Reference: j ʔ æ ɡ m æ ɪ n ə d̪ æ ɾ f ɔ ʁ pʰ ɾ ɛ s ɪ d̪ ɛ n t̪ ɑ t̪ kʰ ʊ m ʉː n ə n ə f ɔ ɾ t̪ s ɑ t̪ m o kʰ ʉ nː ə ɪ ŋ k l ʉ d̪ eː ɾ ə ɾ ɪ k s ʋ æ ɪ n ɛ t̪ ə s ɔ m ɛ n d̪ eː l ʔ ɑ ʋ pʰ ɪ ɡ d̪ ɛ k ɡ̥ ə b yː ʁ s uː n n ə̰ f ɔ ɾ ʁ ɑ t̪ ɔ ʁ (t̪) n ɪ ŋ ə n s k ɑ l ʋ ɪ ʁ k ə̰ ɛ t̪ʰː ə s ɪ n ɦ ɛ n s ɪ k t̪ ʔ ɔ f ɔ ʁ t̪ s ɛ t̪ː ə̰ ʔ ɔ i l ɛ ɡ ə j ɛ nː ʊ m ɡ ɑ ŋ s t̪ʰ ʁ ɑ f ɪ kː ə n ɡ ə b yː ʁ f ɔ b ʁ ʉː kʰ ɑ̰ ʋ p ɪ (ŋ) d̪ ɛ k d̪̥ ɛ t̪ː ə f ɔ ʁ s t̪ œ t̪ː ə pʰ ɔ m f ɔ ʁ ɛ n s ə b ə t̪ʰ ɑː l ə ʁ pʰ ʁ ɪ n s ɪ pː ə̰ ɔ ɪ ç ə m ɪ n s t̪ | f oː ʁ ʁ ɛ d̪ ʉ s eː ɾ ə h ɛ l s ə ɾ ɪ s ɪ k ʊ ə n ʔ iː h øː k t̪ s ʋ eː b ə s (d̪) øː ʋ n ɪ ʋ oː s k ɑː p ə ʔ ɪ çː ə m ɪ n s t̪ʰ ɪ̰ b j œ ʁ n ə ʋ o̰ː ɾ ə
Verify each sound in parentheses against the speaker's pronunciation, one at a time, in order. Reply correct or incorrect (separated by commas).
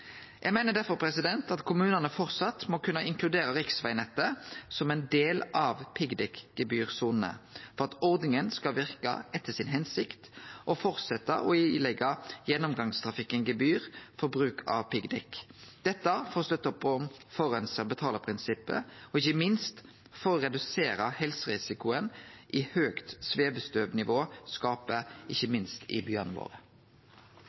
incorrect, incorrect, incorrect